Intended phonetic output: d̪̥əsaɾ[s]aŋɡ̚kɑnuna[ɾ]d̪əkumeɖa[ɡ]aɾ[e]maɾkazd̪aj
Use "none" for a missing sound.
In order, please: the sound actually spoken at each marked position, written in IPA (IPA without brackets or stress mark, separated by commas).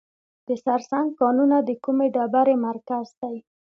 s, none, b, e